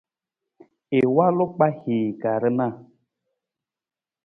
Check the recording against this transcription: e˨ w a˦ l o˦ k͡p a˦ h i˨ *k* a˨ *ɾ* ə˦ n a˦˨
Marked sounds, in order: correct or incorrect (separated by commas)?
incorrect, correct